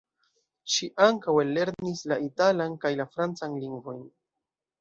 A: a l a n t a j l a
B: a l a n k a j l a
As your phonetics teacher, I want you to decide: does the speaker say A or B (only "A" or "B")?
B